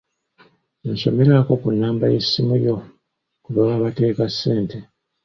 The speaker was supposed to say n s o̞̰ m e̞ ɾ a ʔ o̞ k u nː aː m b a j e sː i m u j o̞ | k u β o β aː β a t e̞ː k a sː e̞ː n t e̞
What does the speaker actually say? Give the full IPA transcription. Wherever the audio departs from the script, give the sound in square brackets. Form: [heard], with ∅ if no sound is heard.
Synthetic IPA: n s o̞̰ m e̞ ɾ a [k] o̞ k u nː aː m b a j e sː i m u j o̞ | k u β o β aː β a t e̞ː k a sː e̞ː n t e̞